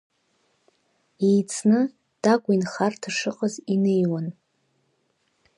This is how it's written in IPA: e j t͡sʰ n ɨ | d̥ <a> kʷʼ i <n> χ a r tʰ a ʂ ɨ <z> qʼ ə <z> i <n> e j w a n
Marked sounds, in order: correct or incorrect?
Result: correct, correct, incorrect: none, correct, correct

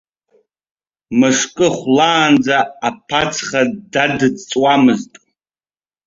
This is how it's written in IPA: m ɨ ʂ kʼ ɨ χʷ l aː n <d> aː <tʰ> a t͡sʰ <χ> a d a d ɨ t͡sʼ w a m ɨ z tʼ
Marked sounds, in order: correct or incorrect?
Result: incorrect: d͡z, incorrect: pʰ, correct

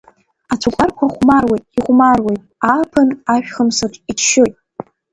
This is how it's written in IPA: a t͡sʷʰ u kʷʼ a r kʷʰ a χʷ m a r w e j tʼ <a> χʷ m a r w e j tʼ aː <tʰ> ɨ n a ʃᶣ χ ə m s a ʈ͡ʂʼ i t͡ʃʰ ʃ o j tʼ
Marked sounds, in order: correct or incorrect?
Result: incorrect: i, incorrect: pʰ

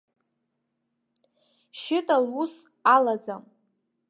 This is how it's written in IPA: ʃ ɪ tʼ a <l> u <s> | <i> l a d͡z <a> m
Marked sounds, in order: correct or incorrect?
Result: correct, correct, incorrect: a, correct

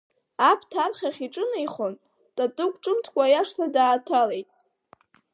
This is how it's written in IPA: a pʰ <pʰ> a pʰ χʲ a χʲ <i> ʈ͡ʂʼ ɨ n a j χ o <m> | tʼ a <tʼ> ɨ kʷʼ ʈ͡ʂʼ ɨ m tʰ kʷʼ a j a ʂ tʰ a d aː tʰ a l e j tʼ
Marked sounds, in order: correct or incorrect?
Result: incorrect: tʰ, correct, incorrect: n, correct

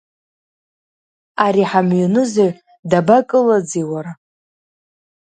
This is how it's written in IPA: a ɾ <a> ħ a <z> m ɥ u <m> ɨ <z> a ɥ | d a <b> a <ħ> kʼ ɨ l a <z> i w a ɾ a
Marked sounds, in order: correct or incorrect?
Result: incorrect: i, incorrect: none, incorrect: n, correct, correct, incorrect: none, incorrect: d͡z

